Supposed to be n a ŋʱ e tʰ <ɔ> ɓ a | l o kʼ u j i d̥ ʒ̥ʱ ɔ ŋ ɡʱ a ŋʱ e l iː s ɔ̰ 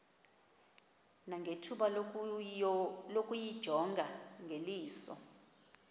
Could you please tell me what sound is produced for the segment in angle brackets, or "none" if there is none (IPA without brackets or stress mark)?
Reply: u